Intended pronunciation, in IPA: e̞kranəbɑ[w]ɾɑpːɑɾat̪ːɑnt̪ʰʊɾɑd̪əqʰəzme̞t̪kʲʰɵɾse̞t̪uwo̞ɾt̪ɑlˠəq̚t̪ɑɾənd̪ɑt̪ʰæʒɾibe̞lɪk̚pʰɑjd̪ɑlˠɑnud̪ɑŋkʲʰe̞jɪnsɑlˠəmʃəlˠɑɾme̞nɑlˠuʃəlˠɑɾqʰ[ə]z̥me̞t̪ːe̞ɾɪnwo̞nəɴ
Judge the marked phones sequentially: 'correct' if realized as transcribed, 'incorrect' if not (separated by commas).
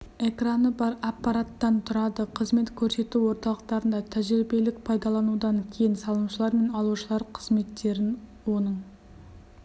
incorrect, correct